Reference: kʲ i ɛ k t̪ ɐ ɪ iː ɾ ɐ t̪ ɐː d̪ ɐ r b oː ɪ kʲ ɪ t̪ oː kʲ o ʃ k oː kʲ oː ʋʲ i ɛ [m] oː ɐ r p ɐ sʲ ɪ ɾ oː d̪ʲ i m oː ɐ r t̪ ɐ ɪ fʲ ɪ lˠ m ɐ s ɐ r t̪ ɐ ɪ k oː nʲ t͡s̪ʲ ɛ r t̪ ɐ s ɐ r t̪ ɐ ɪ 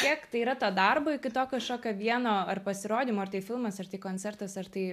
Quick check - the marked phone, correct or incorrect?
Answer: incorrect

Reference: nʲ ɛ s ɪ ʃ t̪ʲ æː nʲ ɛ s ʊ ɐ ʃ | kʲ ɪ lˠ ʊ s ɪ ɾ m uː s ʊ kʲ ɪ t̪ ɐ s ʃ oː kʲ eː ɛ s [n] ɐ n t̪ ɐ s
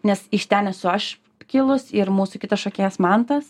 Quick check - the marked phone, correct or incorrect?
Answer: incorrect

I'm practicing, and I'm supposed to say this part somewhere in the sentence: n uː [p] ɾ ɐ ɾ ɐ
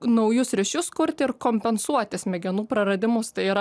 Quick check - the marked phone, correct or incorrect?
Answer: correct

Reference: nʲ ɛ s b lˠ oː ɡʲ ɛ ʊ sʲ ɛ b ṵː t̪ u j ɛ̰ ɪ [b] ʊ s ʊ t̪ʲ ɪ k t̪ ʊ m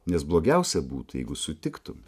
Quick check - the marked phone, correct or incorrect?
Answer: incorrect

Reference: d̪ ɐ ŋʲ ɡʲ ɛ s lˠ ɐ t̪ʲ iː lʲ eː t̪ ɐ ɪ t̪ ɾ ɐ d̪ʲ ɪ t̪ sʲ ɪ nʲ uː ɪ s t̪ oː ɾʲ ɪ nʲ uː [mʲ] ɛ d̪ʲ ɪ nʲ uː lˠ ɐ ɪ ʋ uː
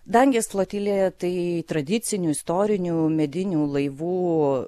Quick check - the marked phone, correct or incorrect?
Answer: correct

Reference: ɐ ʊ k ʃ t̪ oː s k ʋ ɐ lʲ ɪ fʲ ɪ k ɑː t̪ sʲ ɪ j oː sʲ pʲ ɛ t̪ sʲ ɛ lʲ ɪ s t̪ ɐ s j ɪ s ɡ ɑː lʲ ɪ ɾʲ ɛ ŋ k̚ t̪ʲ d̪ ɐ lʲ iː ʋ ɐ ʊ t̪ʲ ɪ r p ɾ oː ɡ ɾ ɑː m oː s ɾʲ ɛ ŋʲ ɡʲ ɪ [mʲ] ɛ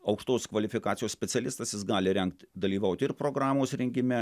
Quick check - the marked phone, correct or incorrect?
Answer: correct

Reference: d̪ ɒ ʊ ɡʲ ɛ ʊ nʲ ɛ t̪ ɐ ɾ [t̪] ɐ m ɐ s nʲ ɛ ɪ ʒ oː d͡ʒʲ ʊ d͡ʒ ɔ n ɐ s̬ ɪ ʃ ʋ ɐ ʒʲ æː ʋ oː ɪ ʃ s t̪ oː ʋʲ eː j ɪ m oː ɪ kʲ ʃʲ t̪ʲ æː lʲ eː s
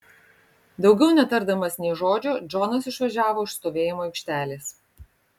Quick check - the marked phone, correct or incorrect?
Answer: incorrect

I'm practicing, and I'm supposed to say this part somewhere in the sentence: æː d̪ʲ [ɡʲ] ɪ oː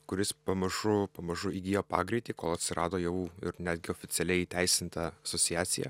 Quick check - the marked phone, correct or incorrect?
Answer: correct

